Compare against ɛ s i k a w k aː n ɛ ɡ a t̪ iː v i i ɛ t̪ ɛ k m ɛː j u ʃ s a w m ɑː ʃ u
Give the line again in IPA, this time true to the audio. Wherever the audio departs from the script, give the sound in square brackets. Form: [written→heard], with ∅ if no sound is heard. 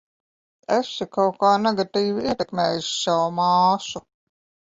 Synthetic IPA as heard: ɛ s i k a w k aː n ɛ ɡ a t̪ iː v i i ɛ t̪ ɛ k m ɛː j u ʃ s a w m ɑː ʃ u